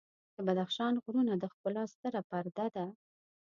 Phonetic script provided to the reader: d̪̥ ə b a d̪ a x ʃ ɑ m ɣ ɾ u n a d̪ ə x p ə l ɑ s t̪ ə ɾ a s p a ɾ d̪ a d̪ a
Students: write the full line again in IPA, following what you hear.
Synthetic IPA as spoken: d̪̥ ə b a d̪ a x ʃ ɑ n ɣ ɾ u n a d̪ ə x p ə l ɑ s t̪ ə ɾ a p a ɾ d̪ a d̪ a